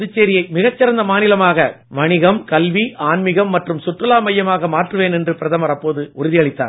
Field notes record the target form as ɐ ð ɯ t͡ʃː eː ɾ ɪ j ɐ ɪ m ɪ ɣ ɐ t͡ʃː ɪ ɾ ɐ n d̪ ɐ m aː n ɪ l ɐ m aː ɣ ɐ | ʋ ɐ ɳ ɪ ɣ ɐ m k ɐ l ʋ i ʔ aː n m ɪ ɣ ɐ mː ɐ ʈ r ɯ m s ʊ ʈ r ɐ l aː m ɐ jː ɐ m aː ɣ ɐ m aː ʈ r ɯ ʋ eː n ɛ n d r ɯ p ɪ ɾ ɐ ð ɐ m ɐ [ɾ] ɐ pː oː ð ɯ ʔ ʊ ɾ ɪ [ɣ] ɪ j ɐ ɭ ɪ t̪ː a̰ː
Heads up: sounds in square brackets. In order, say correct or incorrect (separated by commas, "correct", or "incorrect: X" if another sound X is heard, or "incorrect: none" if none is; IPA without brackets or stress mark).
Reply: correct, incorrect: ð